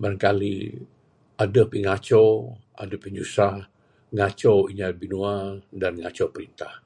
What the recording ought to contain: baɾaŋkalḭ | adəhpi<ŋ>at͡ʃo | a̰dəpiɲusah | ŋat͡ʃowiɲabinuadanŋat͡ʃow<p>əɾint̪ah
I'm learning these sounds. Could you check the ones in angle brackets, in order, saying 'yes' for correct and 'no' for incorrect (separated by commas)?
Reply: yes, yes